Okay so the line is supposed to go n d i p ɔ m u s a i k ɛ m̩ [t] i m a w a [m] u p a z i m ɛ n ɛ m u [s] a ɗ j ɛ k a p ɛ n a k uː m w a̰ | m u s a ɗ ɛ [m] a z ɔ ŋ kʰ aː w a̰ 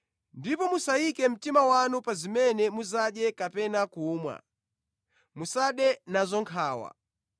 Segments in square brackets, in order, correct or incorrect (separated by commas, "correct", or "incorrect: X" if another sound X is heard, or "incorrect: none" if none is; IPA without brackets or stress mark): correct, incorrect: n, incorrect: z, incorrect: n